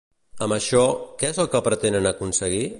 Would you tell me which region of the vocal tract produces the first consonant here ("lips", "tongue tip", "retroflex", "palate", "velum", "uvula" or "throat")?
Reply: lips